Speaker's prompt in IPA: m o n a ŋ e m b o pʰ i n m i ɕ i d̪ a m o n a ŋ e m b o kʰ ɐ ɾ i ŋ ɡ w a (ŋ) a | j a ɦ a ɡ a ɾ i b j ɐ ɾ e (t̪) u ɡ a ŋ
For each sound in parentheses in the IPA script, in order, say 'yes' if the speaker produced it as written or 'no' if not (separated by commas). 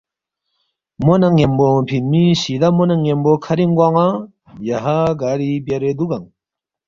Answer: yes, no